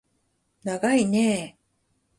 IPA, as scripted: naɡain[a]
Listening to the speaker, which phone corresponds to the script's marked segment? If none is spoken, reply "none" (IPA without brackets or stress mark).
e